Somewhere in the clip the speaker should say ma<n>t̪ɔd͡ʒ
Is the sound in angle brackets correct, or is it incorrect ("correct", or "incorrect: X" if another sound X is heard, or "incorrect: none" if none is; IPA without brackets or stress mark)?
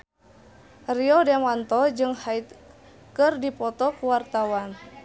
correct